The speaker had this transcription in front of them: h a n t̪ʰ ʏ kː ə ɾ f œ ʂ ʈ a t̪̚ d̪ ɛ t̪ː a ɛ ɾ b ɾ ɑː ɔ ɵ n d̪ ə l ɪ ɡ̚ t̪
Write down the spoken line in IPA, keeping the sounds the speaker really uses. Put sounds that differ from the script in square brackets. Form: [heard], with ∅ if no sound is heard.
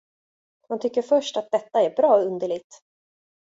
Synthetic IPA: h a n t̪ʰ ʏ kː ə ɾ f œ ʂ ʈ a t̪̚ d̪ ɛ t̪ː a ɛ ɾ b ɾ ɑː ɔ ɵ n d̪ ə [ɭ] ɪ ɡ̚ t̪